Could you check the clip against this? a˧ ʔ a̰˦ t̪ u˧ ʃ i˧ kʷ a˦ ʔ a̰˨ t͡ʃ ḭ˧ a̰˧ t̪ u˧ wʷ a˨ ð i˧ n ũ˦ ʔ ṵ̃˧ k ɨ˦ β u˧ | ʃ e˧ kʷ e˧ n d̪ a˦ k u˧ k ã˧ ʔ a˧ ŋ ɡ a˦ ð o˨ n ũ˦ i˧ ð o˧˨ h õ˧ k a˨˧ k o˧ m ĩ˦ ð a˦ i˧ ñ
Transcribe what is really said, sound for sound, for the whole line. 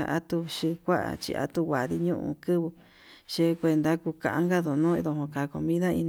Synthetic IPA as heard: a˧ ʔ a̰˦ t̪ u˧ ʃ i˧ kʷ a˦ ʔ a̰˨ t͡ʃ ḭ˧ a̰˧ t̪ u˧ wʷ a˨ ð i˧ ɲ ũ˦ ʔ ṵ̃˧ k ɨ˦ β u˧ | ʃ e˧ kʷ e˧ n d̪ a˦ k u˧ k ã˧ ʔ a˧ ŋ ɡ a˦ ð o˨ n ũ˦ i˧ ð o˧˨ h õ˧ k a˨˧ k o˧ m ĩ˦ ð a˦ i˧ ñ